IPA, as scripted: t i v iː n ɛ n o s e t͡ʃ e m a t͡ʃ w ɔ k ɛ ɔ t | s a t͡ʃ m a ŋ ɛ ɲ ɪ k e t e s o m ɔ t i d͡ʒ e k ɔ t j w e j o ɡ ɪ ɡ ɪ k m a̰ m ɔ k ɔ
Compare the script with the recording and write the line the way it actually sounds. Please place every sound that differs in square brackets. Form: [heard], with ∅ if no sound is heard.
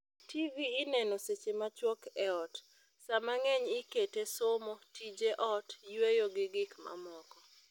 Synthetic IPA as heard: t i v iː n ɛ n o s e t͡ʃ e m a t͡ʃ w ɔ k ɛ ɔ t | s a [∅] m a ŋ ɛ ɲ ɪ k e t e s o m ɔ t i d͡ʒ e [ʔ] ɔ t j w e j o ɡ ɪ ɡ ɪ k m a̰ m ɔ k ɔ